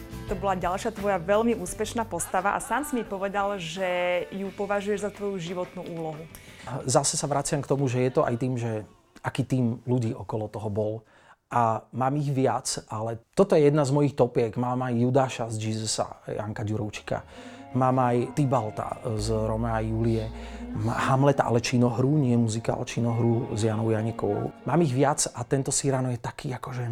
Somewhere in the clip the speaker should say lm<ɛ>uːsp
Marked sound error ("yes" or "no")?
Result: yes